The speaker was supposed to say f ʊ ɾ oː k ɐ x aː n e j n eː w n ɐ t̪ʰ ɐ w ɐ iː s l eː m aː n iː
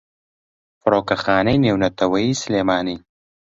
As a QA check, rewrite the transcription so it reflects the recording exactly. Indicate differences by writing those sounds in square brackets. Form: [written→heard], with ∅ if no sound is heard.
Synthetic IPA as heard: f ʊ ɾ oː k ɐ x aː n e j n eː w n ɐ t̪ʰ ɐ w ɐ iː s l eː m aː n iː